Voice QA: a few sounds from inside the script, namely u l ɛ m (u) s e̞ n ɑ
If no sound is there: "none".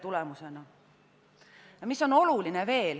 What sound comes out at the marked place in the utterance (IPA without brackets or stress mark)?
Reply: u